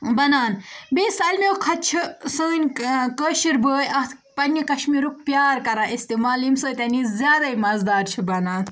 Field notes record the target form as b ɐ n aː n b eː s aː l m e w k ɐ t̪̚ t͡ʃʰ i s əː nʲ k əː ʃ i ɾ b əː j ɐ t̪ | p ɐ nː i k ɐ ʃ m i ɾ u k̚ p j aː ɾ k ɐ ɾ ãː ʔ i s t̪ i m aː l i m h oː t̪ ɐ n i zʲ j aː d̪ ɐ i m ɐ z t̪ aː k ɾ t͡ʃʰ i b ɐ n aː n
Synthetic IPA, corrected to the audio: b ɐ n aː n b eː s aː l m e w kʰ ɐ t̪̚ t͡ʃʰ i s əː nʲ k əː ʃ i ɾ b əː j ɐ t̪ | p ɐ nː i k ɐ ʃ m i ɾ u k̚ p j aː ɾ k ɐ ɾ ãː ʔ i s t̪ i m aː l i m s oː t̪ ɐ n i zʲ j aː d̪ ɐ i m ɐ z d̪ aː ɾ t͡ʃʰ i b ɐ n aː n